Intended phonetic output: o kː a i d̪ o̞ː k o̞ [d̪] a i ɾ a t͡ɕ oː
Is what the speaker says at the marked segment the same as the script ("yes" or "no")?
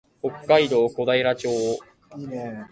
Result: yes